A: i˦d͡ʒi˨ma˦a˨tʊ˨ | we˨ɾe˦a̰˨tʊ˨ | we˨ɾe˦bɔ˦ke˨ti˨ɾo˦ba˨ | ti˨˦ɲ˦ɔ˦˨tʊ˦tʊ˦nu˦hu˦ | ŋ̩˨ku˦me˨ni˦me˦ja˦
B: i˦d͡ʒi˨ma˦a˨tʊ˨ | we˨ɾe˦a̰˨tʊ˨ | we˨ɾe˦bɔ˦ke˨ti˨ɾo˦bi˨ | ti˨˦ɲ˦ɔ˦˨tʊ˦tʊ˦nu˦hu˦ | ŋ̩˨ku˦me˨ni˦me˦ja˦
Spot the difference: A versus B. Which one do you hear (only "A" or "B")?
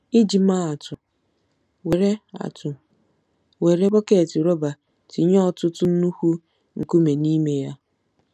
A